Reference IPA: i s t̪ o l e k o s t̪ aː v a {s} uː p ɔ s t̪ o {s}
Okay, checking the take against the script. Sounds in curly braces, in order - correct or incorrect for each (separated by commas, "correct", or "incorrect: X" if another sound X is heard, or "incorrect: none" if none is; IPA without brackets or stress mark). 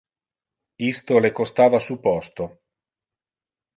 correct, incorrect: none